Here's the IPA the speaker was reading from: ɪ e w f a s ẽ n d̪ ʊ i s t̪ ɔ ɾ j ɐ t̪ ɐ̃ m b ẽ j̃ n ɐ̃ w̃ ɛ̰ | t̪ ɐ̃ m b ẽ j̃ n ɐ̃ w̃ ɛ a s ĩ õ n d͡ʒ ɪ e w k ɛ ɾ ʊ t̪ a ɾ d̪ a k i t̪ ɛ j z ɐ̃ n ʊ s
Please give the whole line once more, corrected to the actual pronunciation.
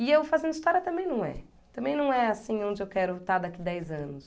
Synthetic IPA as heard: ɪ e w f a z ẽ n d̪ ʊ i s t̪ ɔ ɾ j ɐ t̪ ɐ̃ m b ẽ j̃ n ɐ̃ w̃ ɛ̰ | t̪ ɐ̃ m b ẽ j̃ n ɐ̃ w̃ ɛ a s ĩ õ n d͡ʒ ɪ e w k ɛ ɾ ʊ t̪ a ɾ d̪ a k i d̪ ɛ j z ɐ̃ n ʊ s